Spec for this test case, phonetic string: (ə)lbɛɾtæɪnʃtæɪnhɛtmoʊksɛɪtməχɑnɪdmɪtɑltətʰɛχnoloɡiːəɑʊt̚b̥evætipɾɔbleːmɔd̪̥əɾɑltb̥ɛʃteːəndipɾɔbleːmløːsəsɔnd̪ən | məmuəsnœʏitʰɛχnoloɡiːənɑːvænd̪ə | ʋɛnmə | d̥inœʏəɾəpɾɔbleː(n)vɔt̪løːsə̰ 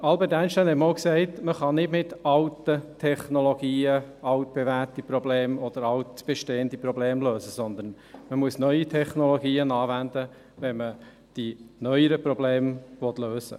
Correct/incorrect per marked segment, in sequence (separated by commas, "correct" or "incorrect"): incorrect, incorrect